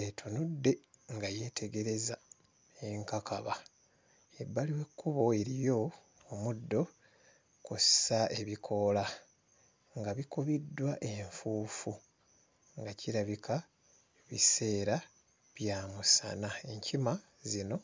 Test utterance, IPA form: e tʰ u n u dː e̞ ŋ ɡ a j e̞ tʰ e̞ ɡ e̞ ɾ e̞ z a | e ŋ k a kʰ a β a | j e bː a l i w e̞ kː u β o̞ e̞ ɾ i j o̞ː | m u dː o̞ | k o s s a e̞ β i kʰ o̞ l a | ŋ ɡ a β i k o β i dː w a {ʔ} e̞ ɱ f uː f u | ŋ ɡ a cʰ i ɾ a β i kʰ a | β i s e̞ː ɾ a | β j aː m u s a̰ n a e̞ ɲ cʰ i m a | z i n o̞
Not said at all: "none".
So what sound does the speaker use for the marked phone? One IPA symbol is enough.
ʔ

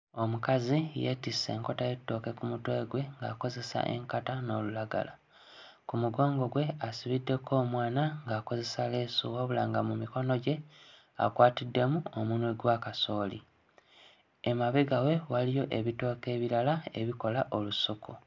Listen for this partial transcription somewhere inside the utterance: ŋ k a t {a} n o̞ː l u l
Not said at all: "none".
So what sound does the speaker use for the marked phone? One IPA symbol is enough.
a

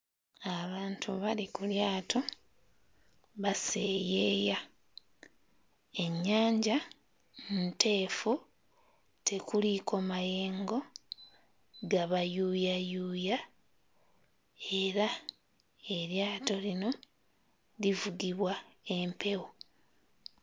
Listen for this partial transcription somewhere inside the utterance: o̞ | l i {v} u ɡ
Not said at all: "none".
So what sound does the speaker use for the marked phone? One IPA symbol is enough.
v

